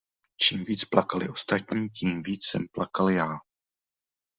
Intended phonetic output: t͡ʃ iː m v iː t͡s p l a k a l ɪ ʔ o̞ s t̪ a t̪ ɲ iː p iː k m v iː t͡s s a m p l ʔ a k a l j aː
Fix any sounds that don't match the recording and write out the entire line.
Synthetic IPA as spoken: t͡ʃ iː m v iː t͡s p l a k a l ɪ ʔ o̞ s t̪ a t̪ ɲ iː c iː m v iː t͡s s ɛ m p l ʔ a k a l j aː